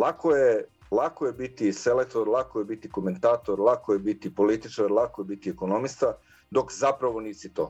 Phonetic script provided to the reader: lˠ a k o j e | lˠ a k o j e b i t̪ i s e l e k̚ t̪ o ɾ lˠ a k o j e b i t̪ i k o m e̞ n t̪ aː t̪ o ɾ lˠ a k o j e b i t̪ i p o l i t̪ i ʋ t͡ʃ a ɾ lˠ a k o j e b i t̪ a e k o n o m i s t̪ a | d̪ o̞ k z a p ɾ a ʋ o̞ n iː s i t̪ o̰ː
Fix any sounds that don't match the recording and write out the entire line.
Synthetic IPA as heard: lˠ a k o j e | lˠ a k o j e b i t̪ i s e l e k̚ t̪ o ɾ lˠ a k o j e b i t̪ i k o m e̞ n t̪ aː t̪ o ɾ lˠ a k o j e b i t̪ i p o l i t̪ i t͡ʃ a ɾ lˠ a k o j e b i t̪ i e k o n o m i s t̪ a | d̪ o̞ k z a p ɾ a ʋ o̞ n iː s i t̪ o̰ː